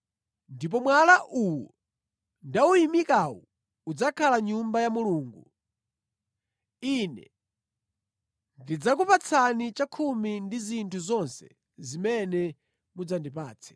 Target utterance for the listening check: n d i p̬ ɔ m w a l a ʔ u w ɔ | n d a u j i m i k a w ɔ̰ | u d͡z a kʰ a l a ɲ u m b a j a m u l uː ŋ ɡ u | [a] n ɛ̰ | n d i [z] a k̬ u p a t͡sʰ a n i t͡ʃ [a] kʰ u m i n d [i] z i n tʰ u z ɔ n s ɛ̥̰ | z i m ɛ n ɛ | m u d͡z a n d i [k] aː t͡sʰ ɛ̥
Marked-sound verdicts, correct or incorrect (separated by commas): incorrect, incorrect, correct, correct, incorrect